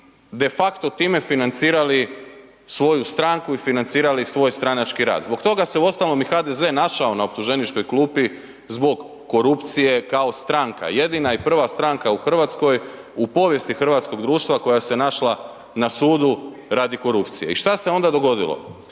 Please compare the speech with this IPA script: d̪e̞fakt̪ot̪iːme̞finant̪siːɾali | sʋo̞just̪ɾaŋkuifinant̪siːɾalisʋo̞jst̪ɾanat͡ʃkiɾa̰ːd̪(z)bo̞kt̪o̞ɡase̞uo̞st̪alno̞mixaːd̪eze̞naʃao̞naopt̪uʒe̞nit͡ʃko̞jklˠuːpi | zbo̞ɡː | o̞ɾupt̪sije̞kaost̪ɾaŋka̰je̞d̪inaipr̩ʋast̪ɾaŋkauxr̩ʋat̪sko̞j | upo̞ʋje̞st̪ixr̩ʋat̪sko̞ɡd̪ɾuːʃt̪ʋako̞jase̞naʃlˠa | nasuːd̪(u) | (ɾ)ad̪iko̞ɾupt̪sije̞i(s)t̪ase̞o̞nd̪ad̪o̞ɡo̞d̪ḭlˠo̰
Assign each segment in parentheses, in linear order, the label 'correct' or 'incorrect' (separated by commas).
correct, correct, correct, incorrect